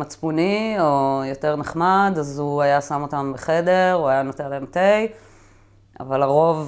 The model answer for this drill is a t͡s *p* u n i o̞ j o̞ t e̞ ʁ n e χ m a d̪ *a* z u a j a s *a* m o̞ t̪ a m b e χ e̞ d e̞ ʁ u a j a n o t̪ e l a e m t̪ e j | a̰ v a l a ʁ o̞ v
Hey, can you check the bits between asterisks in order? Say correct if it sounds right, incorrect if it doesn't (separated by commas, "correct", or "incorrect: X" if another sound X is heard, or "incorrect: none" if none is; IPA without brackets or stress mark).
correct, correct, correct